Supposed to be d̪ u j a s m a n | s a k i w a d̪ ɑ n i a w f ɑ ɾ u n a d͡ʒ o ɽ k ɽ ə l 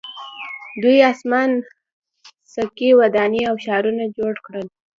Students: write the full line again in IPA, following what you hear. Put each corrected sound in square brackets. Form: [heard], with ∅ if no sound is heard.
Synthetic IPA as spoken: d̪ u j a s m a n | s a k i w a d̪ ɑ n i a w [ʃ] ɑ ɾ u n a d͡ʒ o ɽ k ɽ ə l